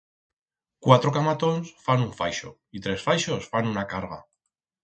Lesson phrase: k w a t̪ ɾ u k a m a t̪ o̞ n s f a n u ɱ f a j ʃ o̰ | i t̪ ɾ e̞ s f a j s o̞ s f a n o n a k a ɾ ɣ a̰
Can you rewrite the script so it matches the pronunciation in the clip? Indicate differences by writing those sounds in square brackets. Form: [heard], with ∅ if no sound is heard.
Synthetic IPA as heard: k w a t̪ ɾ [o] k a m a t̪ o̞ n s f a n u ɱ f a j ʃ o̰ | i t̪ ɾ e̞ s f a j [ʃ] o̞ s f a n [u] n a k a ɾ ɣ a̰